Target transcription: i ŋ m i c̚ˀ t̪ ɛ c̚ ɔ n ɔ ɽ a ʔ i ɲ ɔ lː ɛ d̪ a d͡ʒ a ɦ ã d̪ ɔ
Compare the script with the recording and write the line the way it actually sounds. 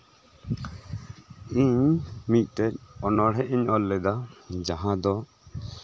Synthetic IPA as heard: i ɲ m i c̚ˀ t̪ ɛ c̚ ɔ n ɔ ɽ ɛ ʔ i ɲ ɔ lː ɛ d̪ a d͡ʒ a ɦ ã d̪ ɔ